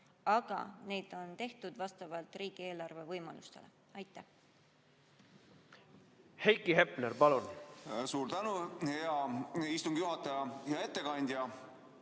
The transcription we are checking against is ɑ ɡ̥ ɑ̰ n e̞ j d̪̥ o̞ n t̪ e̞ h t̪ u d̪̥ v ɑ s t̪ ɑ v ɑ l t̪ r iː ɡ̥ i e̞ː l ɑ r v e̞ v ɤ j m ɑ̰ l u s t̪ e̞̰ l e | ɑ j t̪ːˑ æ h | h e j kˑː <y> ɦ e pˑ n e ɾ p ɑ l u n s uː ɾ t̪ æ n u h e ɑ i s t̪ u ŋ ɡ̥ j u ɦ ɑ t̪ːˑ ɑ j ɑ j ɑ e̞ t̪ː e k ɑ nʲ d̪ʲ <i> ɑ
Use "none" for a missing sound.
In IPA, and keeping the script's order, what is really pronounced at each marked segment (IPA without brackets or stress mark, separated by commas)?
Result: i, j